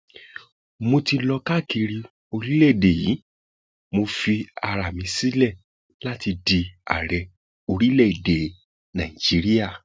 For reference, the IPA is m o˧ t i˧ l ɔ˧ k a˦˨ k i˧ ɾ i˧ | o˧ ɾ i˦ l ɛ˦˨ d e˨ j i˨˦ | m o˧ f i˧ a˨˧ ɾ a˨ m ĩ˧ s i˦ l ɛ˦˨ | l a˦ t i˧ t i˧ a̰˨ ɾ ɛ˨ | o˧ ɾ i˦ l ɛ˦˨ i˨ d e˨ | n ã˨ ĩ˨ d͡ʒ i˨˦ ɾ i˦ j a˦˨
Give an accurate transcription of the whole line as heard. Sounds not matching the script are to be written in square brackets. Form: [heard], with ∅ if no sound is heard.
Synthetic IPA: m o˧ t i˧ l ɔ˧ k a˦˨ k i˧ ɾ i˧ | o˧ ɾ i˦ l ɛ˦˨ d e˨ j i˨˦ | m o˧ f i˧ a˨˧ ɾ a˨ m ĩ˧ s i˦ l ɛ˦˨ | l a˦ t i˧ [d] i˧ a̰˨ ɾ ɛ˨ | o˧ ɾ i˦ l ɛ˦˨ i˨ d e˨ | n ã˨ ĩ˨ d͡ʒ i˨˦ ɾ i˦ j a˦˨